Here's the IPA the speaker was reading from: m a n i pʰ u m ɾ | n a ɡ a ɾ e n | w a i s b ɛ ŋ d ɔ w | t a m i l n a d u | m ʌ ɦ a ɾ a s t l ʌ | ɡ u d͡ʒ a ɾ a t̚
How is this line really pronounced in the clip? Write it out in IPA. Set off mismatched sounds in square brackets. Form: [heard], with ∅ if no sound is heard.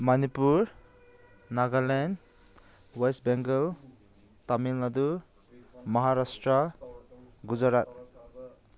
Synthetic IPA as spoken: m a n i [p] u [∅] ɾ | n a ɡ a [l] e n | w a [j] s b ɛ ŋ [ɡ] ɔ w | t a m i l n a d u | m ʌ ɦ a ɾ a s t [ɾ] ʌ | ɡ u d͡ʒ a ɾ a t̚